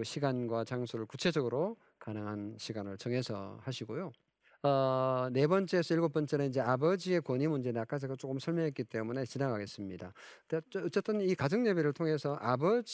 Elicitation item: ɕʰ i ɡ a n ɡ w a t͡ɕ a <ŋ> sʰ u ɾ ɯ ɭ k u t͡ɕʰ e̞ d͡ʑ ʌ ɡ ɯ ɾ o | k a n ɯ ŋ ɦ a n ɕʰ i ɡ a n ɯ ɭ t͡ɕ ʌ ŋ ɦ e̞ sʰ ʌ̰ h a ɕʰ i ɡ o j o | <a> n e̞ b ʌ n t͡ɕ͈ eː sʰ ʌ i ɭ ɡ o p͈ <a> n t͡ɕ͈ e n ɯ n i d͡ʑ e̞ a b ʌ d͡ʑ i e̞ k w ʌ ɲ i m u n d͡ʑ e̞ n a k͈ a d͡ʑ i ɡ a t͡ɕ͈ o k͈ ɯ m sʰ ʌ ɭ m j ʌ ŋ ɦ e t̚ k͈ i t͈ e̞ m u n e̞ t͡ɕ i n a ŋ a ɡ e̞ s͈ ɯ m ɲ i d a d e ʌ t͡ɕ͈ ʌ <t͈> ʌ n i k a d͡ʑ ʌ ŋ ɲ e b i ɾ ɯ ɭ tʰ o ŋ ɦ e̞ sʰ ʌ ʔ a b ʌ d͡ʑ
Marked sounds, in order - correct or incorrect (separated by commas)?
correct, incorrect, incorrect, correct